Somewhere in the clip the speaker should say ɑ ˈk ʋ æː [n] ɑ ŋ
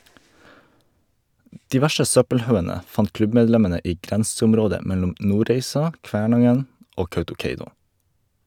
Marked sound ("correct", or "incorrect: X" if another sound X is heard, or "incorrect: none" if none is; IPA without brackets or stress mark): incorrect: ɳ